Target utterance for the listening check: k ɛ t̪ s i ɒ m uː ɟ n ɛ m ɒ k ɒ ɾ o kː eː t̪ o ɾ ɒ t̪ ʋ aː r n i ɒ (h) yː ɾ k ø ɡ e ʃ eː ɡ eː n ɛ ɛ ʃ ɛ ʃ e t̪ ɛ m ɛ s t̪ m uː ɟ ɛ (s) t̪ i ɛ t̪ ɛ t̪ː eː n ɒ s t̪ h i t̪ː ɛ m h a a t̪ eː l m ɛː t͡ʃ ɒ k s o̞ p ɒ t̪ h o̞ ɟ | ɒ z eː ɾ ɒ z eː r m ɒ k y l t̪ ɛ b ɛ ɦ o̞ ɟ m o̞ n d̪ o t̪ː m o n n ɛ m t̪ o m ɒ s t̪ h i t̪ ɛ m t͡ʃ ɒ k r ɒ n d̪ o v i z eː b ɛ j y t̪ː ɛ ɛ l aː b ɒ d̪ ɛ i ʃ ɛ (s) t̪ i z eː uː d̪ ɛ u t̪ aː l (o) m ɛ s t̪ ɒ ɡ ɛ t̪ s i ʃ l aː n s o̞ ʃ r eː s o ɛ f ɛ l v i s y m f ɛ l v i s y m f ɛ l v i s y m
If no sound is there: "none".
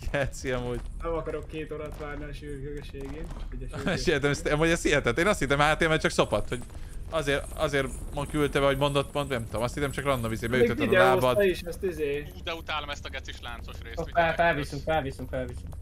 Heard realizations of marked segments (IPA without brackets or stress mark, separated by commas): ʃ, s, s, o